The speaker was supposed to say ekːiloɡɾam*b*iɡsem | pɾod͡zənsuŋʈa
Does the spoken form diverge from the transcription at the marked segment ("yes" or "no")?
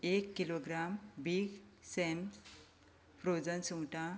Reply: no